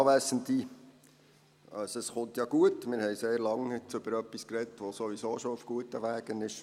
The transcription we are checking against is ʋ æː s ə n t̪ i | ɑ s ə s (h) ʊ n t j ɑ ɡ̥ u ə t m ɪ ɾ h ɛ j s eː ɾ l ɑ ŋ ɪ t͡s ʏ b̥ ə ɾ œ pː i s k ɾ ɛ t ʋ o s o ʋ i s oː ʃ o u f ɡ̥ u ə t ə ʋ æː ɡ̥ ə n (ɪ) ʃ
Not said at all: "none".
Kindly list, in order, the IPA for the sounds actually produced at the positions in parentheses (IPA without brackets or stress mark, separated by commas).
χ, ɪ